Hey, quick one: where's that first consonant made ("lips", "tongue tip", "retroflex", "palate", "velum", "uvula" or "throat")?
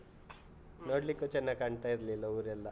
tongue tip